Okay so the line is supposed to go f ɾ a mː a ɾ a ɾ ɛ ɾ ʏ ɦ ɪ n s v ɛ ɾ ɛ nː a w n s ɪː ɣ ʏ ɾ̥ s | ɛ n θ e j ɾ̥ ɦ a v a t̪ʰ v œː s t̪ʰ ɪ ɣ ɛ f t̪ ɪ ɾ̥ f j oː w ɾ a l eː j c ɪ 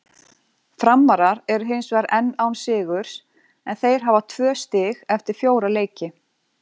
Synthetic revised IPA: f ɾ a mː a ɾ a ɾ ɛ ɾ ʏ ɦ ɪ n s v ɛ ɾ ɛ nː a w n s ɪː ɣ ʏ ɾ̥ s | ɛ n θ e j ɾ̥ ɦ a v a t̪ʰ v œː s t̪ ɪ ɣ ɛ f t̪ ɪ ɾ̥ f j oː w ɾ a l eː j c ɪ